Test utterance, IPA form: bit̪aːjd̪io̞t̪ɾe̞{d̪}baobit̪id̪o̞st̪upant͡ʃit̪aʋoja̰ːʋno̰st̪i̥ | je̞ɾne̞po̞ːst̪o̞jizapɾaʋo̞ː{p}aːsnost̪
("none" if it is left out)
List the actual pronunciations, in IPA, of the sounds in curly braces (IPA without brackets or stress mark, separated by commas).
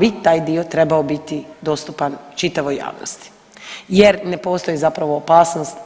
none, p